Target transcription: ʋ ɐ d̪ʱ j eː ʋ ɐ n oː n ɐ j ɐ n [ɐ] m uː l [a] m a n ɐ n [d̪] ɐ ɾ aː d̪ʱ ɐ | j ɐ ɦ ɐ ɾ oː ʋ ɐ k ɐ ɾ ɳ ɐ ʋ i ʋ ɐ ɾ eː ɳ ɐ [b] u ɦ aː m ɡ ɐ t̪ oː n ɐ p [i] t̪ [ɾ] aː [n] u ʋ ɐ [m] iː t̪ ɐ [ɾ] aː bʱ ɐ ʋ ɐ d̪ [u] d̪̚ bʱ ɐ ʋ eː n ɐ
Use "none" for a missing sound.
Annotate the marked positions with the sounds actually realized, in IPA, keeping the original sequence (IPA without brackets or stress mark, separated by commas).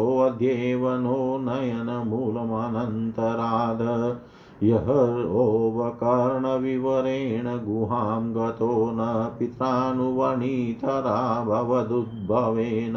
ɐ, ɐ, t̪, ɡ, i, ɾ, n, ɳ, ɾ, u